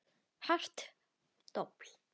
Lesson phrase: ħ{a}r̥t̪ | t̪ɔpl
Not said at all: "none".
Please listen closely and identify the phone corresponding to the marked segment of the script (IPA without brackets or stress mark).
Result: a